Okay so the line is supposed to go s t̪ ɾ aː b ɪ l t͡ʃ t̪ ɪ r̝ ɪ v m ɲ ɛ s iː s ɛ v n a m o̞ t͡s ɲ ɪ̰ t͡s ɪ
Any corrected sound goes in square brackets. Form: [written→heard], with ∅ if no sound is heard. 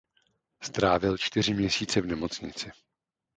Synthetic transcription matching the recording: s t̪ ɾ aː [b→v] ɪ l t͡ʃ t̪ ɪ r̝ ɪ [v→∅] m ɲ ɛ s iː [s→t͡s] ɛ v n [a→ɛ] m o̞ t͡s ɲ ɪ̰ t͡s ɪ